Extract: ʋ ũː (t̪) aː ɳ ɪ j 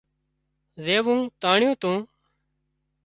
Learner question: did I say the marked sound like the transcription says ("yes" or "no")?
yes